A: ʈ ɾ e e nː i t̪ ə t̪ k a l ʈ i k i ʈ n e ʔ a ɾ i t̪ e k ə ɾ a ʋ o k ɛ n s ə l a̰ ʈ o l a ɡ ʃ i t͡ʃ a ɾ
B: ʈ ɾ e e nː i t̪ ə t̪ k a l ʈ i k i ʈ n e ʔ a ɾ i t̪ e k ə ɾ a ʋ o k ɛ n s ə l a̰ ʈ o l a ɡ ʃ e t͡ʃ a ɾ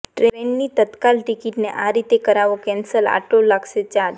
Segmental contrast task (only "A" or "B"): B